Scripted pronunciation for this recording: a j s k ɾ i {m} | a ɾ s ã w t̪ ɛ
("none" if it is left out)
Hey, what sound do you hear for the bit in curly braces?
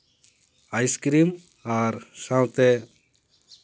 m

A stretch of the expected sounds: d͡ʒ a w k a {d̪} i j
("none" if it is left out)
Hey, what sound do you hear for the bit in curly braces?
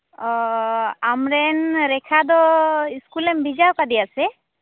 d̪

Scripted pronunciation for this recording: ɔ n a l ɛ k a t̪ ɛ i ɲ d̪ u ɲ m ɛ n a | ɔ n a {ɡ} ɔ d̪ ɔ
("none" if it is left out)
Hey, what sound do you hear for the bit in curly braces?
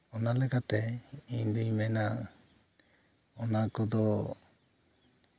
k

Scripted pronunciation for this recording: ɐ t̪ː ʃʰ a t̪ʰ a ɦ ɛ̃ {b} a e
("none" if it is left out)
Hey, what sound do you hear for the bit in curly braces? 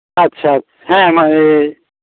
m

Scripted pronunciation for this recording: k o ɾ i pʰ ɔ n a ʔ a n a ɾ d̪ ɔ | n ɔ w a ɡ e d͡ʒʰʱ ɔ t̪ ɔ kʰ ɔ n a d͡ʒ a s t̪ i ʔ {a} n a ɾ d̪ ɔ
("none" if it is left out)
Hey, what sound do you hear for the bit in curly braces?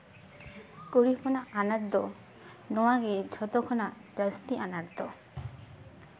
a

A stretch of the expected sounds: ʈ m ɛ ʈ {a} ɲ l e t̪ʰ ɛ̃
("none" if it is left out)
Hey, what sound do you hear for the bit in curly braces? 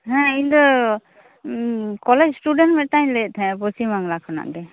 a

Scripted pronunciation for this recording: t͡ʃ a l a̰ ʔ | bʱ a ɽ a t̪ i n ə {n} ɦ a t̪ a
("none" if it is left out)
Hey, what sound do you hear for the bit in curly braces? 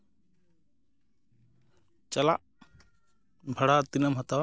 m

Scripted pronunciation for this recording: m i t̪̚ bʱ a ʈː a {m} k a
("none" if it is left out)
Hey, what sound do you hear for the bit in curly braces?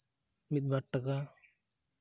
none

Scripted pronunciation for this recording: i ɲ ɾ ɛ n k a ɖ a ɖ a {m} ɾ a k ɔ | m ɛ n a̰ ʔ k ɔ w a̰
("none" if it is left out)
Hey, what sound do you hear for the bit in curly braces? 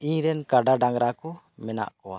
ŋ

